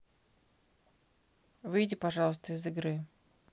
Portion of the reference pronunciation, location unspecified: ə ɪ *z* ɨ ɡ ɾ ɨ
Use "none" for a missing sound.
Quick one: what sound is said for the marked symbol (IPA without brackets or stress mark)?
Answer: z